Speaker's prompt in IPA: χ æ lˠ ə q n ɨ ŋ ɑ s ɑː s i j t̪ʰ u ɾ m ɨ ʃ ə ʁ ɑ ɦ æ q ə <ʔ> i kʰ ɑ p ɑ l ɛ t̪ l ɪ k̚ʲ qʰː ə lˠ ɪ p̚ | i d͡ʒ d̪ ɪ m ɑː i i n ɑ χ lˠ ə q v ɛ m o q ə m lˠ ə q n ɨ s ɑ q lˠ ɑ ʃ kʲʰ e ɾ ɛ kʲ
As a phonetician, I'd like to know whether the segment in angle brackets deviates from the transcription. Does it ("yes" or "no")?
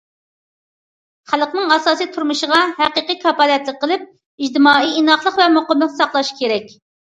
yes